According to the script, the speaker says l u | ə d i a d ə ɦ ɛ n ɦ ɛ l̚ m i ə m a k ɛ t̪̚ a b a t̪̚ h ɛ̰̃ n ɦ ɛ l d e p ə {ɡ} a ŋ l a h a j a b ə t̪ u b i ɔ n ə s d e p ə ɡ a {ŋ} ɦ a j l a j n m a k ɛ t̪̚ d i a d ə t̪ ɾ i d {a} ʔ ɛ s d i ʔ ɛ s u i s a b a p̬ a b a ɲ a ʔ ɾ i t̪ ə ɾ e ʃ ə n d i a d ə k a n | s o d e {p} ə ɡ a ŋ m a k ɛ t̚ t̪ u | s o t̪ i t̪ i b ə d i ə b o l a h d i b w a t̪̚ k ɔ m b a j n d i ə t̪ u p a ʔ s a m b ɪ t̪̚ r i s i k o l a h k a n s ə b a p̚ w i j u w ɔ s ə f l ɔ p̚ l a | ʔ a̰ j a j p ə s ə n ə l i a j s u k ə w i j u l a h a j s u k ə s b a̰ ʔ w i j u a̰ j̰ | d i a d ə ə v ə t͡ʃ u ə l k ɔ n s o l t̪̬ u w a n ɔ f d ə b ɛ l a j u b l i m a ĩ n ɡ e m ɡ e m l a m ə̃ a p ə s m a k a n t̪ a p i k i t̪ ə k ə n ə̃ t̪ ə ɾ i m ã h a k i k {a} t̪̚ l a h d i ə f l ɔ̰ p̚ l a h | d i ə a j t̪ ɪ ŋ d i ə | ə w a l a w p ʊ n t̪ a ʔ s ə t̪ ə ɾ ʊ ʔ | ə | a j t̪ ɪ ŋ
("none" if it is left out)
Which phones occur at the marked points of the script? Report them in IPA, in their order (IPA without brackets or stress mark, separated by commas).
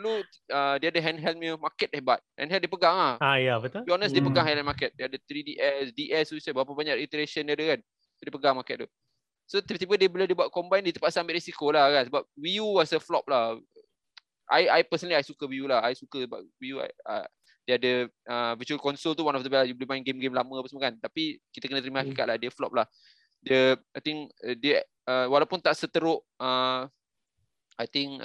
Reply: ɡ, ŋ, i, p, a